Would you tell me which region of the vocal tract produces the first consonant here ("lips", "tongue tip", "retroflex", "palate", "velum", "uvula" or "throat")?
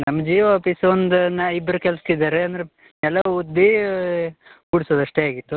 tongue tip